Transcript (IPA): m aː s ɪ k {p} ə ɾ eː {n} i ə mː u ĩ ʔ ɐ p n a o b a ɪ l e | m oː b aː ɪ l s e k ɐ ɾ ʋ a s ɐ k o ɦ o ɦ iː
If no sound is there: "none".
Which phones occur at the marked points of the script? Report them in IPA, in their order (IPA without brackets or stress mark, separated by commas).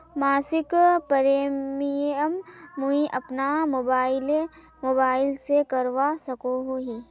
p, m